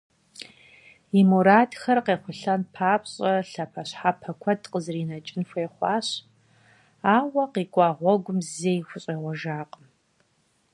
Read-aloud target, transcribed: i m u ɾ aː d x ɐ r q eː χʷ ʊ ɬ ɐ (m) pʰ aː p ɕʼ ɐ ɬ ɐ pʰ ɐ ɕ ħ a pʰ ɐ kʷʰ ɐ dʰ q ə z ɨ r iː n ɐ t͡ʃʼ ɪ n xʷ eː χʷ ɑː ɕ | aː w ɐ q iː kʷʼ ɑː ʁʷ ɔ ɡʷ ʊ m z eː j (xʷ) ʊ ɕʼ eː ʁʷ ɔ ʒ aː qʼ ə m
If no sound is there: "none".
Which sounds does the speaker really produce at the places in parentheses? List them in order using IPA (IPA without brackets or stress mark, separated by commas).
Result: n, xʷ